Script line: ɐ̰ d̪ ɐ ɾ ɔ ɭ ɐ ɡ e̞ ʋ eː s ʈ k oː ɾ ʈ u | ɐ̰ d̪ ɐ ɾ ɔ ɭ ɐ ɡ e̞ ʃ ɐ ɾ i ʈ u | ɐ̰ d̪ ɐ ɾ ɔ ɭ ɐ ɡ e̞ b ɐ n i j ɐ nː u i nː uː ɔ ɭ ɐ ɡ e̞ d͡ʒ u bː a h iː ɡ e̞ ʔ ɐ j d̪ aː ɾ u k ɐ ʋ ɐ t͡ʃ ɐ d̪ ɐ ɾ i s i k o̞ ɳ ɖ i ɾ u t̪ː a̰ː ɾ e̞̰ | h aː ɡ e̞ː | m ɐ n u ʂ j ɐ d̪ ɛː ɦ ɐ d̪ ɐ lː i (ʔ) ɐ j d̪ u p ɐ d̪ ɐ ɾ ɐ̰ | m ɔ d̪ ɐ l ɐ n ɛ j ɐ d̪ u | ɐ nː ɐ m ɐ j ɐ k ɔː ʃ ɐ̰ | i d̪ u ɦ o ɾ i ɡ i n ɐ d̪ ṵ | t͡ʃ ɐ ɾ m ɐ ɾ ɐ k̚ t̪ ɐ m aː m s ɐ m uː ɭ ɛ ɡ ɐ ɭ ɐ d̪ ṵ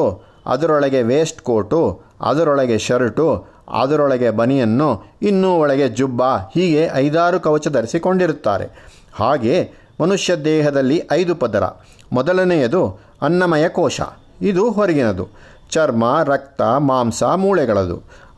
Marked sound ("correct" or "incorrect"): correct